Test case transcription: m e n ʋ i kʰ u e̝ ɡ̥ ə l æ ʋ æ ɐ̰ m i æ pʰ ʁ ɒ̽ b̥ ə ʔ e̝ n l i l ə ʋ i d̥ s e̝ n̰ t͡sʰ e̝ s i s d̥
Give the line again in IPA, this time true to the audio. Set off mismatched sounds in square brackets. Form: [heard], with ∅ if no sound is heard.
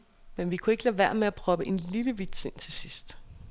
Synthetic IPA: m e n ʋ i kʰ u e̝ ɡ̥ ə l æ ʋ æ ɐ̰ m [e] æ pʰ ʁ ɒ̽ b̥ ə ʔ e̝ n l i l ə ʋ i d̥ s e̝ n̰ t͡sʰ e̝ s i s d̥